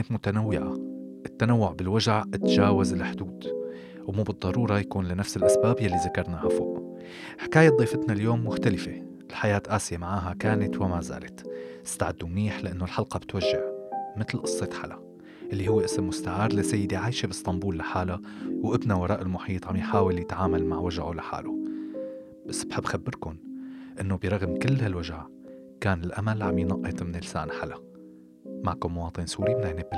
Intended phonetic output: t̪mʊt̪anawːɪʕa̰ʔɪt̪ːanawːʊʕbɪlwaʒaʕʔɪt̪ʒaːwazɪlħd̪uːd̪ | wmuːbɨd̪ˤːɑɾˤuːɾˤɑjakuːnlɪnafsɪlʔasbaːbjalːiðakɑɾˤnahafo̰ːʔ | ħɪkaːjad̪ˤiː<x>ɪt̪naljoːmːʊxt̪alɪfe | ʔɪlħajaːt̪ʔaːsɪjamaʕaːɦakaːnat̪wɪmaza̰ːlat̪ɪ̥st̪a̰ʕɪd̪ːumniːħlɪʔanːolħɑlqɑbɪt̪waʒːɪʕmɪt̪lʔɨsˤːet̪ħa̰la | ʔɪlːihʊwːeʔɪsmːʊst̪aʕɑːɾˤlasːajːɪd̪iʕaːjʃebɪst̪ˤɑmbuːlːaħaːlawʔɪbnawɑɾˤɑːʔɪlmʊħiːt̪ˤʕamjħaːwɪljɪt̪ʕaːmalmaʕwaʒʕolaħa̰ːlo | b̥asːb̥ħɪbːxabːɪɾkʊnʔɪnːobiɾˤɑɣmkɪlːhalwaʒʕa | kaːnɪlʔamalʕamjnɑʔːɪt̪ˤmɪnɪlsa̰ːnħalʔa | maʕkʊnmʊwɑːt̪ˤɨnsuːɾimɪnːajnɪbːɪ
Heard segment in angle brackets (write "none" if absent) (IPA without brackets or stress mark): f